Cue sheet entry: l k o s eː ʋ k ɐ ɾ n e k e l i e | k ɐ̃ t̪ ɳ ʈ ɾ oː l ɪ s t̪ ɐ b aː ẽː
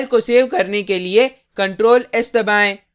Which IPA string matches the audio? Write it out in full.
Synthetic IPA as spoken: l k o s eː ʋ k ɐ ɾ n e k e l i e | k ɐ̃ ɳ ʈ ɾ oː l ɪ s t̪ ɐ b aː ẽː